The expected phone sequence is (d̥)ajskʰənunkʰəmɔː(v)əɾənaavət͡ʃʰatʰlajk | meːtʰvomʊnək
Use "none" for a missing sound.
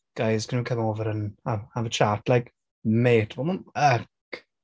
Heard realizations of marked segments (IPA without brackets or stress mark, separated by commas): ɡ̥, v